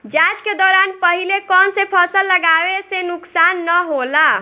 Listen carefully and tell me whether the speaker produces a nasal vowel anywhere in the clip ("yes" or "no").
no